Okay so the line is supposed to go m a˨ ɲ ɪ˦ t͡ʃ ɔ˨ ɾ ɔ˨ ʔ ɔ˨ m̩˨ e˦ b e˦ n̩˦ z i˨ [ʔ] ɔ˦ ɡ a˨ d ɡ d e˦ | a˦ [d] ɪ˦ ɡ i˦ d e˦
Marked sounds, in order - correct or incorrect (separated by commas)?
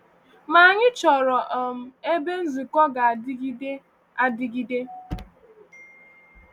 incorrect, correct